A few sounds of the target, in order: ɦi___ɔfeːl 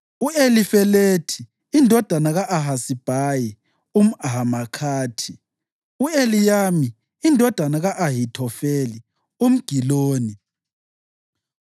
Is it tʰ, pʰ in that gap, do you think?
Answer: tʰ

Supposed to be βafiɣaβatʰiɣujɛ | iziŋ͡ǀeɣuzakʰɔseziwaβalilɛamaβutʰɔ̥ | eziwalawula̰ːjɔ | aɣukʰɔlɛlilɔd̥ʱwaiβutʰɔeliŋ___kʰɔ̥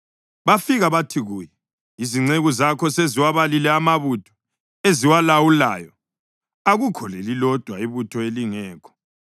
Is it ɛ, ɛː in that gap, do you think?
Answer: ɛː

